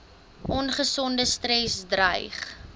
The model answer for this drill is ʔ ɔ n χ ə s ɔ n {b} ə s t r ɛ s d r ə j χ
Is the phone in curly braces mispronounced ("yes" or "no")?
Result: yes